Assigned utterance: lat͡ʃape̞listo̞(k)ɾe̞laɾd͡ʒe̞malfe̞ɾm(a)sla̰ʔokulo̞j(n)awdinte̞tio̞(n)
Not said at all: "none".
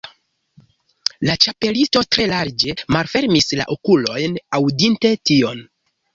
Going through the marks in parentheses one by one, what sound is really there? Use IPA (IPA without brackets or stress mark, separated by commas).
t, i, n, n